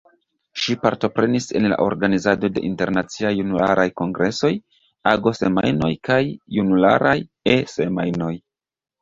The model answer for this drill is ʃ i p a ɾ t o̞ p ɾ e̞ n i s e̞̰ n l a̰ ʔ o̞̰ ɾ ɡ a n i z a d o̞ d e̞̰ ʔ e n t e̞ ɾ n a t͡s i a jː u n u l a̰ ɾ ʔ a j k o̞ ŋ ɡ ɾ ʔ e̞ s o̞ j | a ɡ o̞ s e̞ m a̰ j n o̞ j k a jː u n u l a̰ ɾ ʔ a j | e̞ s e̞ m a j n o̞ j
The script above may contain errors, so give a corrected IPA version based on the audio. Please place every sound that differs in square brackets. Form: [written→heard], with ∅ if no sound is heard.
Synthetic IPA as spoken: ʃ i p a ɾ t o̞ p ɾ e̞ n i s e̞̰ n l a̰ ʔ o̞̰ ɾ ɡ a n i z a d o̞ d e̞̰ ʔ [e→i] n t e̞ ɾ n a t͡s i a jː u n u l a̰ ɾ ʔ a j k o̞ ŋ ɡ ɾ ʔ e̞ s o̞ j | a ɡ o̞ s e̞ m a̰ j n o̞ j k a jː u n u l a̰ ɾ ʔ a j | e̞ s e̞ m a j n o̞ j